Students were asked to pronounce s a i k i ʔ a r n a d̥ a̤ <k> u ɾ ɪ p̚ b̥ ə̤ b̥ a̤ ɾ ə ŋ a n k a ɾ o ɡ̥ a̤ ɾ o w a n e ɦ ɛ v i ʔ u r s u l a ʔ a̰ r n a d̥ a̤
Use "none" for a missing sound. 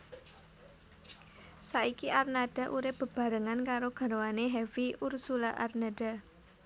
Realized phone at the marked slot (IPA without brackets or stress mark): ʔ